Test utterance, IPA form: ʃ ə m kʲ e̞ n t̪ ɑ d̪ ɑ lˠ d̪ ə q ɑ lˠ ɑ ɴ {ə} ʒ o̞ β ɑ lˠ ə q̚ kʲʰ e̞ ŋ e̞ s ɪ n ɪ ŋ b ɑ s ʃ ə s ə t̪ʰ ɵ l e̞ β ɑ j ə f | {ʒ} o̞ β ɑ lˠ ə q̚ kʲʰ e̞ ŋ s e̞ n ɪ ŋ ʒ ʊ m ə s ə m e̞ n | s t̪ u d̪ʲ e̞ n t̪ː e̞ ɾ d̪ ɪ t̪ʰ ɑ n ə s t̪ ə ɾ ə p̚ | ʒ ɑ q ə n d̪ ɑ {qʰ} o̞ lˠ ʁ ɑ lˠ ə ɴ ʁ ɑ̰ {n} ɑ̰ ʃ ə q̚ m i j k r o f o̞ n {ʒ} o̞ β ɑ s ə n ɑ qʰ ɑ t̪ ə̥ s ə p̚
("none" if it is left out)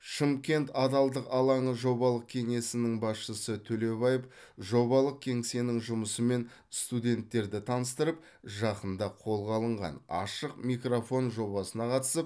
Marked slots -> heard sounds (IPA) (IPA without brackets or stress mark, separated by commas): ə, ʒ, qʰ, n, ʒ